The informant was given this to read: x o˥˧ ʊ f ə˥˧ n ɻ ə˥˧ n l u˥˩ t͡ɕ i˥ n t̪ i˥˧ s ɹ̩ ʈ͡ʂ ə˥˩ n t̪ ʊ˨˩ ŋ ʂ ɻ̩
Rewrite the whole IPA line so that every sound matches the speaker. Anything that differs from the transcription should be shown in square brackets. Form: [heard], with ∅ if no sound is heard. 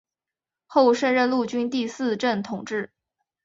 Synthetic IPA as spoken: x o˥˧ ʊ [ʂ] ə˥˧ n ɻ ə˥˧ n l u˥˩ t͡ɕ [y˥] n t̪ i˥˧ s ɹ̩ ʈ͡ʂ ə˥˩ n [t̪ʰ] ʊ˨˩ ŋ [ʈ͡ʂ] ɻ̩